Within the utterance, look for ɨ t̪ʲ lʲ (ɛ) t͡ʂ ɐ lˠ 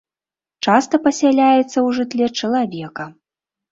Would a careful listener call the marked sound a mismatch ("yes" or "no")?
no